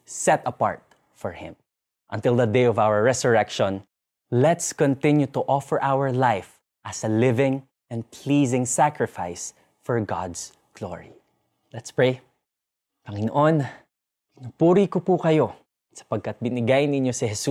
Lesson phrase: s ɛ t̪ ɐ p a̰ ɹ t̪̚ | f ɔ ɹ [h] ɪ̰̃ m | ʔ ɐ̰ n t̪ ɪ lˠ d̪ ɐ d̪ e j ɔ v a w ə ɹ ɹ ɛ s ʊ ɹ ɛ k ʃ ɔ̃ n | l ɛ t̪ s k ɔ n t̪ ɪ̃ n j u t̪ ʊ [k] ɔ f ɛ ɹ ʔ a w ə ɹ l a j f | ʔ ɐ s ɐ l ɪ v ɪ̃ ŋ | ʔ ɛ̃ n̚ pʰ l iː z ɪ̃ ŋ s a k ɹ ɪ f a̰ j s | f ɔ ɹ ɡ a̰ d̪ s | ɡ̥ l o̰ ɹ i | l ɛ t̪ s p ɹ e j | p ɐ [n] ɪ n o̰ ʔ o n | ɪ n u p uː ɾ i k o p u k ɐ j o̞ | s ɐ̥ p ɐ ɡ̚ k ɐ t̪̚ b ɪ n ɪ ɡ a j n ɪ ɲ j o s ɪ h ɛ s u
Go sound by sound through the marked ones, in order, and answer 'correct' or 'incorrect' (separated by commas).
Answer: correct, incorrect, incorrect